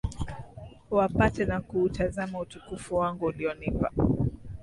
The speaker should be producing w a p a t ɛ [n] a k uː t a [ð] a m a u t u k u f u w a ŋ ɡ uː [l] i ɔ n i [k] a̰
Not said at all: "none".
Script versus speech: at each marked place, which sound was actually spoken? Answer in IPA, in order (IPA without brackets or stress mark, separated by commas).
n, z, l, p